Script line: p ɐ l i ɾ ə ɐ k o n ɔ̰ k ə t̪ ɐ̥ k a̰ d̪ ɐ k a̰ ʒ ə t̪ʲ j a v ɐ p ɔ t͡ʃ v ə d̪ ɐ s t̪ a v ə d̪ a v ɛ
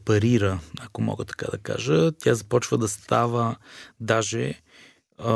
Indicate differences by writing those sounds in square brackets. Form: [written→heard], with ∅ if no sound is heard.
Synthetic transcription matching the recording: p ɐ [l→ɾ] i ɾ ə ɐ k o [n→m] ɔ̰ [k→ɡ] ə t̪ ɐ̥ k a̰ d̪ ɐ k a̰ ʒ ə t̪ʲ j a [v→z] ɐ p ɔ t͡ʃ v ə d̪ ɐ s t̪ a v ə d̪ a [v→ʒ] ɛ